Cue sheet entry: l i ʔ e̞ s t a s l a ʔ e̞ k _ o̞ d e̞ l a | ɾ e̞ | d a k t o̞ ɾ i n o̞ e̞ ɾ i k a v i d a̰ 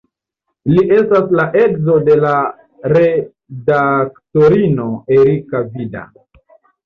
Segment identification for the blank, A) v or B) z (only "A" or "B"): B